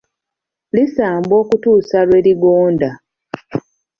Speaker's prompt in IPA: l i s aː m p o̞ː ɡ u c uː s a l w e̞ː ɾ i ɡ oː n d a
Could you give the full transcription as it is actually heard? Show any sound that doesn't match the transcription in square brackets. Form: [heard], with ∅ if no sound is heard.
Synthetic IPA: l i s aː m [b] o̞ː [k] u [t] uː s a l w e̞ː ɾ i ɡ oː n d a